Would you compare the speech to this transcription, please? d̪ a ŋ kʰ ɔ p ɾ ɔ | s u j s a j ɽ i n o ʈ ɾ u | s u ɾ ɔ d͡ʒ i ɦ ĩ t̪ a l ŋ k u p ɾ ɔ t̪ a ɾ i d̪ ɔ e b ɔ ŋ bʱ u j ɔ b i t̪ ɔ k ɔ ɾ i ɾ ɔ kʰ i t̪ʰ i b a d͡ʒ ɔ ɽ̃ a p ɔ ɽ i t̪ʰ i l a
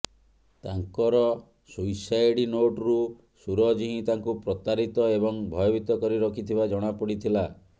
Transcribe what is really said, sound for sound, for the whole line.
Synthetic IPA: t̪ a ŋ k ɔ ɾ ɔ | s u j s a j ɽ i n o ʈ ɾ u | s u ɾ ɔ d͡ʒ i ɦ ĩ t̪ a ŋ k u p ɾ ɔ t̪ a ɾ i t̪ ɔ e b ɔ ŋ bʱ ɔ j ɔ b i t̪ ɔ k ɔ ɾ i ɾ ɔ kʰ i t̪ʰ i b a d͡ʒ ɔ ɽ̃ a p ɔ ɽ i t̪ʰ i l a